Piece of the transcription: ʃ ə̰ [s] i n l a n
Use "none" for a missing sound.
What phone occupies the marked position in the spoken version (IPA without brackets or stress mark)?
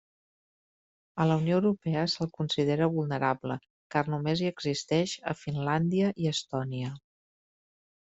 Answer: f